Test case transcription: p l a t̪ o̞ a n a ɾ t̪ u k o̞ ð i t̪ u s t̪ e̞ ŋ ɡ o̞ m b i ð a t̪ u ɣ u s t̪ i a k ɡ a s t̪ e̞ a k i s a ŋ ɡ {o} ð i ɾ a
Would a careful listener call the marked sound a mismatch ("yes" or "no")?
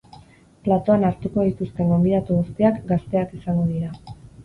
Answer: no